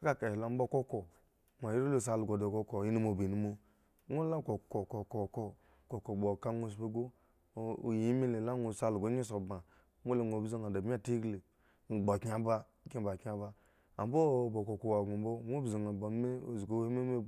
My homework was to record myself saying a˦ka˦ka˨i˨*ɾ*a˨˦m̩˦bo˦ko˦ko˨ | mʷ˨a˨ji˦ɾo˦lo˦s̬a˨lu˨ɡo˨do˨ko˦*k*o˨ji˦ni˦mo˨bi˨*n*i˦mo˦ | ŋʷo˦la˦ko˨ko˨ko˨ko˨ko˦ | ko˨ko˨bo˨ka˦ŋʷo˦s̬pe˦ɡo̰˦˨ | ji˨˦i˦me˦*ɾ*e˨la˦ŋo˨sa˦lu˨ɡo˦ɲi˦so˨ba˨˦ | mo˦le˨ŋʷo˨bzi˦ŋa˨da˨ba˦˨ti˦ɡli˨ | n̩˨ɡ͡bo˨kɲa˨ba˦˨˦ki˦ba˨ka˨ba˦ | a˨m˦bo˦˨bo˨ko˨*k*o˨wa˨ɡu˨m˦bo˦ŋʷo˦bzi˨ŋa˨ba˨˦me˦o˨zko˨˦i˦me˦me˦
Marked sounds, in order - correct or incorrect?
incorrect: l, correct, correct, incorrect: l, correct

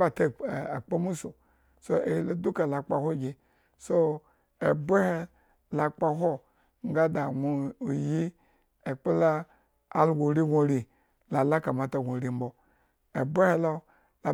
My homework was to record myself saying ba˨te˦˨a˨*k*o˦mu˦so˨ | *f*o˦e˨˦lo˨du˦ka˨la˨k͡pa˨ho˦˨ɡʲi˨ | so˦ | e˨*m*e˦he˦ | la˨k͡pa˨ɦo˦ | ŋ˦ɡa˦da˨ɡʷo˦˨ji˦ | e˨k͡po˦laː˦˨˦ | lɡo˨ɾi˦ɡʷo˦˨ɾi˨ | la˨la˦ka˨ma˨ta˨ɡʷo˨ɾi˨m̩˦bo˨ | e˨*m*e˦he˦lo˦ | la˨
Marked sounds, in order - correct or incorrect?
incorrect: k͡p, incorrect: s, incorrect: b, incorrect: b

